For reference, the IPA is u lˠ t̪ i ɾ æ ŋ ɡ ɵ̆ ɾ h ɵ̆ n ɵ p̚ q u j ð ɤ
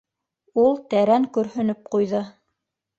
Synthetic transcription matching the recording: u lˠ t̪ æ ɾ æ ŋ k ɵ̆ ɾ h ɵ̆ n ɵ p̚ q u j ð ɤ